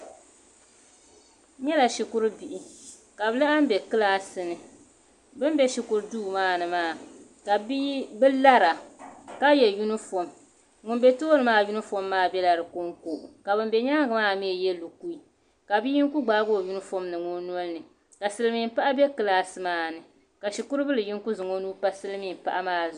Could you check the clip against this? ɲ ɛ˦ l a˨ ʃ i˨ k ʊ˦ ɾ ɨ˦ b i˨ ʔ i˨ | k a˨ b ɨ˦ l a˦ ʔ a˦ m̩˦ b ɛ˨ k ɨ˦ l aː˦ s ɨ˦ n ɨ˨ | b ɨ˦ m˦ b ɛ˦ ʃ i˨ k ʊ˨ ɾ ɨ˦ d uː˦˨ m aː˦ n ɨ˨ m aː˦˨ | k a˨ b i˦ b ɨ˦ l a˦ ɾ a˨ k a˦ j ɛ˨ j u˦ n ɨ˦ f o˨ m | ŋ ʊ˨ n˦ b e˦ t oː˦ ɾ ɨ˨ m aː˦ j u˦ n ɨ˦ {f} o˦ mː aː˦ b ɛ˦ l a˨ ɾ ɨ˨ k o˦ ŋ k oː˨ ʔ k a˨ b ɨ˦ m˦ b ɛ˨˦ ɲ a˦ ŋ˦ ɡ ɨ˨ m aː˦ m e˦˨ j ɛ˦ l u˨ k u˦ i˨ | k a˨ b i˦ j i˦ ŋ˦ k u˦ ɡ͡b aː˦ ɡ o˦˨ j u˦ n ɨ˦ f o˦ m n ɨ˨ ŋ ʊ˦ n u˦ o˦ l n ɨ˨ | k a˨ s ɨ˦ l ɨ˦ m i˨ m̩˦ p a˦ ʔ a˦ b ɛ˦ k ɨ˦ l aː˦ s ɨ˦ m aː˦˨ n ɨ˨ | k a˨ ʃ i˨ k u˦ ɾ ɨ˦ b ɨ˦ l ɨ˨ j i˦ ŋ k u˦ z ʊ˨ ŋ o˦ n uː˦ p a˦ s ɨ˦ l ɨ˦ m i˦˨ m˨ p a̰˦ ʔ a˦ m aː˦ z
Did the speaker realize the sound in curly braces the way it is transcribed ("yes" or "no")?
yes